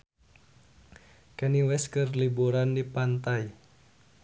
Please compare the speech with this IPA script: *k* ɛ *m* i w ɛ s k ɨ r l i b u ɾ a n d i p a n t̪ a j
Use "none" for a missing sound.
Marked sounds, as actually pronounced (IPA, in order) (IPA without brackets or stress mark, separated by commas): k, n